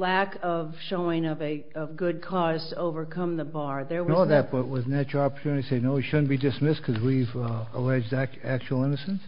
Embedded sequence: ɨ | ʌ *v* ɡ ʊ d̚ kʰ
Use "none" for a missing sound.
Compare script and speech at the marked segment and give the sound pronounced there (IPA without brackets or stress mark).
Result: v